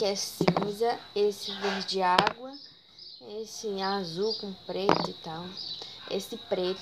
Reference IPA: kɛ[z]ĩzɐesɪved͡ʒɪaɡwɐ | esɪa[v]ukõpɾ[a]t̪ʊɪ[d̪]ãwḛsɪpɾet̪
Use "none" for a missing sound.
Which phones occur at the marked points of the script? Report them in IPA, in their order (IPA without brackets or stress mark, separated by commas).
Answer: s, z, e, t̪